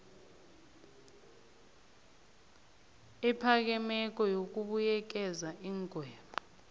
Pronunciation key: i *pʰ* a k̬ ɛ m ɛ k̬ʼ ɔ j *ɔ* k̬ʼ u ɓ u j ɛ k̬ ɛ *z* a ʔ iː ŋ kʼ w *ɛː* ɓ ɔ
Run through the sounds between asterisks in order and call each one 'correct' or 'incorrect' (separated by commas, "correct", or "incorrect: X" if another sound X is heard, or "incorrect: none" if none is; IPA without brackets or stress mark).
correct, incorrect: o, correct, correct